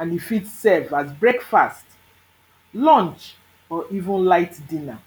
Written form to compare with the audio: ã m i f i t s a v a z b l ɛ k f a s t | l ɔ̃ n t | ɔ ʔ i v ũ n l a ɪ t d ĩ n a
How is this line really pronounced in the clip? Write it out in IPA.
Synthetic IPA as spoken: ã n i f i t s ɛ v a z b ɹ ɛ k f a s t | l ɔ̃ n t͡ʃ | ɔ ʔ i v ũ n l a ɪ t d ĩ n a